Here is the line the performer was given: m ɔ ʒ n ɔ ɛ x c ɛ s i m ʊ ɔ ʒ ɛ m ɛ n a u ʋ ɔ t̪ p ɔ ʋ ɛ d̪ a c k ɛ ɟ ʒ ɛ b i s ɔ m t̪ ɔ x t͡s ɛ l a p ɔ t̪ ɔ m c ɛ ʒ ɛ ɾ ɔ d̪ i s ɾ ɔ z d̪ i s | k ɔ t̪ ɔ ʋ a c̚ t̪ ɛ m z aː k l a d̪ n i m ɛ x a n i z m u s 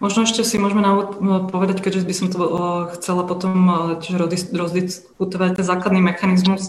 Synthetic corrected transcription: m ɔ ʒ n ɔ ɛ ʃ c ɛ s i m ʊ ɔ ʒ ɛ m ɛ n a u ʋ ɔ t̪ p ɔ ʋ ɛ d̪ a c k ɛ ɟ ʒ ɛ b i s ɔ m t̪ ɔ x t͡s ɛ l a p ɔ t̪ ɔ m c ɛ ʒ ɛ ɾ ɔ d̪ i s ɾ ɔ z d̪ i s | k u t̪ ɔ ʋ a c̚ t̪ ɛ n z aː k l a d̪ n i m ɛ x a n i z m u s